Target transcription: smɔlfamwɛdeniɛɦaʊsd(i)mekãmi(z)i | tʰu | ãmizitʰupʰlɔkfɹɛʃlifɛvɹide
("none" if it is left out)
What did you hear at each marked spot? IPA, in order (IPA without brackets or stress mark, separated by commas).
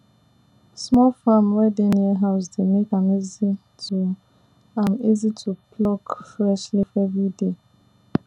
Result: e, z